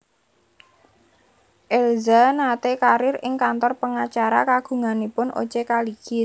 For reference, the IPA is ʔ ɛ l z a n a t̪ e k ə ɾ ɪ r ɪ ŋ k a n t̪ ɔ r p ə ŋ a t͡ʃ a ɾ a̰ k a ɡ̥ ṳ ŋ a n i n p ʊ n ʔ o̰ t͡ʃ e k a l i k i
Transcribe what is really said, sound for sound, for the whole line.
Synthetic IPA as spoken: ʔ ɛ l z a n a t̪ e k a ɾ ɪ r ɪ ŋ k a n t̪ ɔ r p ə ŋ a t͡ʃ a ɾ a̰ k a ɡ̥ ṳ ŋ a n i p ʊ n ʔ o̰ t͡ʃ e k a l i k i